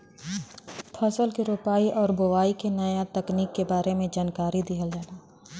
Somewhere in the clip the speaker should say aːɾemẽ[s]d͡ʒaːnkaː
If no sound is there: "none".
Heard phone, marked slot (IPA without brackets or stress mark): none